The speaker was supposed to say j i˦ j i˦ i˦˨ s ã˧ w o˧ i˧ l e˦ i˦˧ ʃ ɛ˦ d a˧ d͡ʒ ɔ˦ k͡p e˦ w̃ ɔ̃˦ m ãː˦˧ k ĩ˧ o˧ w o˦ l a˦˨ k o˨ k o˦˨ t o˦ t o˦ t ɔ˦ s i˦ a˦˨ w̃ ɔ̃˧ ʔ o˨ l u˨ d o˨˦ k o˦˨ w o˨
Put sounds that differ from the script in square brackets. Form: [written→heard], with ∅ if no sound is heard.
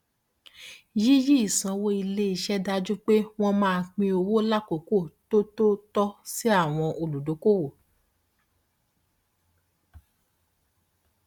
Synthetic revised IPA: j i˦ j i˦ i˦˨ s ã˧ w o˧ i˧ l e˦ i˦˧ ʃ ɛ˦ d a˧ d͡ʒ [ɔ˦→u˦] k͡p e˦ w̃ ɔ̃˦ m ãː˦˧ [k→k͡p] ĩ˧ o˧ w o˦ l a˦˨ k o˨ k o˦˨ t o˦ t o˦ t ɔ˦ s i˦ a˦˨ w̃ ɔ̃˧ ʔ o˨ l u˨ d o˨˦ k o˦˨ w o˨